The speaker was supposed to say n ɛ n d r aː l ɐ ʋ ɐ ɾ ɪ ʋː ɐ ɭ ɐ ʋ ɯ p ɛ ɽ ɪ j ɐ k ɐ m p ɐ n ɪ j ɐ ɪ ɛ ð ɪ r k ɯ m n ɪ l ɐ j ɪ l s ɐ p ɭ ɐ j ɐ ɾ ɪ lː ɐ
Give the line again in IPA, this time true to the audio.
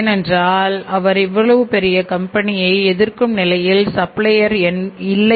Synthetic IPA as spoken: n ɛ n d r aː l ɐ ʋ ɐ ɾ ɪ ʋː ɐ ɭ ɐ ʋ ɯ p ɛ ɾ ɪ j ɐ k ɐ m p ɐ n ɪ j ɐ ɪ ɛ ð ɪ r k ɯ m n ɪ l ɐ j ɪ l s ɐ p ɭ ɐ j ɐ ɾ ɪ lː ɐ